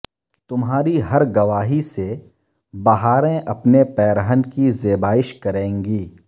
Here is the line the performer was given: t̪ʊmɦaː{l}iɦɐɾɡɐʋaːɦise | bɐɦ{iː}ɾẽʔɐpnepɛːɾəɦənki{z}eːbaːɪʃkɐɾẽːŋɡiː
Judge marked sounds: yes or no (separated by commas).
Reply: no, no, yes